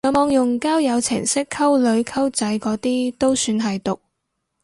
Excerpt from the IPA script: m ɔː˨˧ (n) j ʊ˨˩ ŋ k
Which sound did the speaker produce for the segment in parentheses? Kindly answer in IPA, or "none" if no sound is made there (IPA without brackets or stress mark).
ŋ